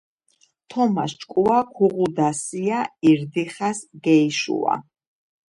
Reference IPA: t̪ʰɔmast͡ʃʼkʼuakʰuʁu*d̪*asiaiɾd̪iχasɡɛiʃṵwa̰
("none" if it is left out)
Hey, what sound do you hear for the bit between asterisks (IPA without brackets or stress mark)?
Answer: d̪